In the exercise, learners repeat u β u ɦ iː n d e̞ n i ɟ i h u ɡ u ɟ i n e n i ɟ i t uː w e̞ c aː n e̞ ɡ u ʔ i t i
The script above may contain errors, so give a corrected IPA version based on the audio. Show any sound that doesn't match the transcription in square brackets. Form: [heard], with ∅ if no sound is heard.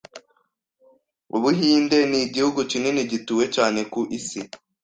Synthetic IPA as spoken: u β u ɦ iː n d e̞ n i ɟ i h u ɡ u [c] i n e n i ɟ i t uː w e̞ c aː n e̞ [k] u ʔ i [s] i